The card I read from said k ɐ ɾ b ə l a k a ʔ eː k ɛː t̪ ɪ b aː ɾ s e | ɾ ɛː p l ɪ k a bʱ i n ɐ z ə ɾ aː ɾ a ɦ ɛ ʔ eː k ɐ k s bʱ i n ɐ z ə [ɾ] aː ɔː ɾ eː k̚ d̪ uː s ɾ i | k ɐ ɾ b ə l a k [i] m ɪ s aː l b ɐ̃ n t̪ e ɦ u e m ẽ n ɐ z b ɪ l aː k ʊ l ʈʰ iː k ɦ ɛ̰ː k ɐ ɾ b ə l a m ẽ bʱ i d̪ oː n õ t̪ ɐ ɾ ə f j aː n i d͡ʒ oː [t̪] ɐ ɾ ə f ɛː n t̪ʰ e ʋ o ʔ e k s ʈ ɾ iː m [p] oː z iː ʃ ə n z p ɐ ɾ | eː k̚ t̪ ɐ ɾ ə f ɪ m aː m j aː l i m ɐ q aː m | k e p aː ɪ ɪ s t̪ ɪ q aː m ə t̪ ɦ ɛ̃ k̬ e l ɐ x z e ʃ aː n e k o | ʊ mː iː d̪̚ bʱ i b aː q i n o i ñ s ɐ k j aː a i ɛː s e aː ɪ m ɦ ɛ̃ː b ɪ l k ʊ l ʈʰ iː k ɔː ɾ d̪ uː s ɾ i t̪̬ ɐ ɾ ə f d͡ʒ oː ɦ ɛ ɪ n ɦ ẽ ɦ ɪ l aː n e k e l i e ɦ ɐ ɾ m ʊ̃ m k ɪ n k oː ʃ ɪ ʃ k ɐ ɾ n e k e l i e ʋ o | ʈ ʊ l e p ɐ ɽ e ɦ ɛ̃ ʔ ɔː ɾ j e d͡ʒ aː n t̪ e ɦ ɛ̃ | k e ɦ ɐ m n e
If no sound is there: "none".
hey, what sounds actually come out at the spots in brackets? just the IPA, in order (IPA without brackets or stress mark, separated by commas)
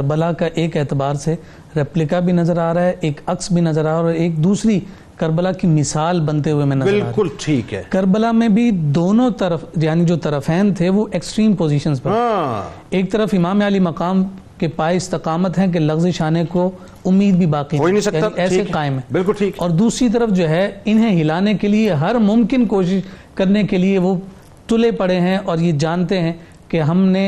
ɾ, i, t̪, p